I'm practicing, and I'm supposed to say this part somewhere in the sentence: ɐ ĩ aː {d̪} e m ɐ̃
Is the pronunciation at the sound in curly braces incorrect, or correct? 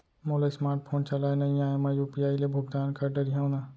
incorrect